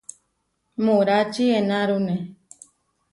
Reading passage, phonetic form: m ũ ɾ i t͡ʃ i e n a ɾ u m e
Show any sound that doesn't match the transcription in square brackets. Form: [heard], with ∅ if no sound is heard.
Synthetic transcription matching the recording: m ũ ɾ [a] t͡ʃ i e n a ɾ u [n] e